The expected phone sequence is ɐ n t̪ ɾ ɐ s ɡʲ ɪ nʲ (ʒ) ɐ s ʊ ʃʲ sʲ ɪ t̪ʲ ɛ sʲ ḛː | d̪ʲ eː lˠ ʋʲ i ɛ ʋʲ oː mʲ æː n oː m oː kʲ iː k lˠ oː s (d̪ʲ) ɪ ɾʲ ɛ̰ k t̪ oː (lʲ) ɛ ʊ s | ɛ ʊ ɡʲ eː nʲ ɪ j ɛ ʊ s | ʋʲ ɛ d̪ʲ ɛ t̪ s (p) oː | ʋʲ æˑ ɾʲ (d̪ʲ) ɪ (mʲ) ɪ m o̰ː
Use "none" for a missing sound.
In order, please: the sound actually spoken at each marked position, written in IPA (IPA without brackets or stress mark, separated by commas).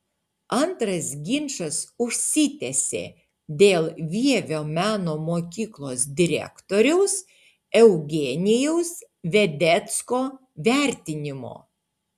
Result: ʃ, d̪ʲ, ɾʲ, k, t̪ʲ, nʲ